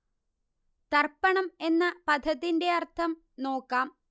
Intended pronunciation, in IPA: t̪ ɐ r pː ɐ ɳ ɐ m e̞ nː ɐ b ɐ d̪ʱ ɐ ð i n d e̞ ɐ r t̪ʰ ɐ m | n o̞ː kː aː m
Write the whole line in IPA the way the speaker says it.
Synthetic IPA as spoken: t̪ ɐ r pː ɐ ɳ ɐ m e̞ nː ɐ p ɐ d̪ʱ ɐ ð i n d e̞ ɐ r t̪ʰ ɐ m | n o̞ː kː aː m